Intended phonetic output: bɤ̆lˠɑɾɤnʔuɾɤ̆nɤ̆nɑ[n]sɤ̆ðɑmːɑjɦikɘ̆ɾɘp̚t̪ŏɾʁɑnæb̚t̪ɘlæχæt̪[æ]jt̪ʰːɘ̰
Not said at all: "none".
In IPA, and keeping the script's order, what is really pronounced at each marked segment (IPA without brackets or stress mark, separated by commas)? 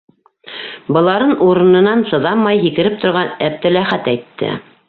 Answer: n, æ